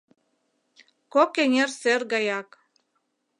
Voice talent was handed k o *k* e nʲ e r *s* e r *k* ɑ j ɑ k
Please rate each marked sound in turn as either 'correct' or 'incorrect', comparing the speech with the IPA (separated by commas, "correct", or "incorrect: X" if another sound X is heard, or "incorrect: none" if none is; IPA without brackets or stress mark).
correct, correct, incorrect: ɡ